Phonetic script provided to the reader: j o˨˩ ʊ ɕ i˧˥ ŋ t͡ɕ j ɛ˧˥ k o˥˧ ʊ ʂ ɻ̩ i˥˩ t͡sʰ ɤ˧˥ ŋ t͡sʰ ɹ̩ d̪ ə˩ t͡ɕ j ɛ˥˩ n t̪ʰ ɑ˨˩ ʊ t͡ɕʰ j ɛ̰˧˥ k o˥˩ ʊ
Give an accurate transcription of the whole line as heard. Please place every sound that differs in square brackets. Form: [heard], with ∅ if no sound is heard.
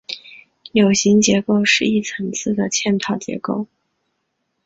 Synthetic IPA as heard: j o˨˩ ʊ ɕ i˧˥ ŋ t͡ɕ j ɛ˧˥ k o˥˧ ʊ ʂ ɻ̩ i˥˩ t͡sʰ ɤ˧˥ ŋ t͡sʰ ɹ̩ d̪ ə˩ [t͡ɕʰ] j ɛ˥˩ n t̪ʰ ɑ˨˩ ʊ [t͡ɕ] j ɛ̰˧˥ k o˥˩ ʊ